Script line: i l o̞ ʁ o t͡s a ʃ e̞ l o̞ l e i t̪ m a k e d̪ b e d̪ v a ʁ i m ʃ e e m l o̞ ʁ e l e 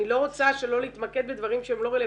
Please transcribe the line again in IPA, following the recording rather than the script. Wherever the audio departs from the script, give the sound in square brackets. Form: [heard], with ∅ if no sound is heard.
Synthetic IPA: i l o̞ ʁ o t͡s a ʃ e̞ l o̞ l e i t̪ m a k e d̪ b e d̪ v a ʁ i m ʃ e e m l o̞ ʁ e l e